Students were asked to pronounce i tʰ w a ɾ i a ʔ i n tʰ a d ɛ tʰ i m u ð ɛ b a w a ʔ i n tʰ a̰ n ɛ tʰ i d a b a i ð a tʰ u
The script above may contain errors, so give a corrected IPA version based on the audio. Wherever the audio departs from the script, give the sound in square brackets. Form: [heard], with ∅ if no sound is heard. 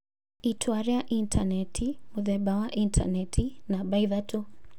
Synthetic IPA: i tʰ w a ɾ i a ʔ i n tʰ a [n] ɛ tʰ i m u ð ɛ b a w a ʔ i n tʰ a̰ n ɛ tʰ i [n] a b a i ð a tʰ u